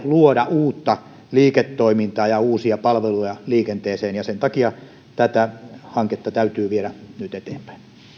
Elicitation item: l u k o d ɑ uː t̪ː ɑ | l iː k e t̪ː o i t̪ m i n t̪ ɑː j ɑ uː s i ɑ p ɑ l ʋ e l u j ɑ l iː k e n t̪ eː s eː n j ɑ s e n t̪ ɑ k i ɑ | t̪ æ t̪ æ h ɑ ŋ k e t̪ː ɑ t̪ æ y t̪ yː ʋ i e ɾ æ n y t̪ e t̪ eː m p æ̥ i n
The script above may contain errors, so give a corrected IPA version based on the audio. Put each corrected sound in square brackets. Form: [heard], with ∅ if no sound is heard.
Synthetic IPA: l u [∅] o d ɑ uː t̪ː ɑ | l iː k e t̪ː o i [∅] m i n t̪ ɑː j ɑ uː s i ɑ p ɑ l ʋ e l u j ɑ l iː k e n t̪ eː s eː n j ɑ s e n t̪ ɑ k i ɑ | t̪ æ t̪ æ h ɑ ŋ k e t̪ː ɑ t̪ æ y t̪ yː ʋ i e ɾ æ n y t̪ e t̪ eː m p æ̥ i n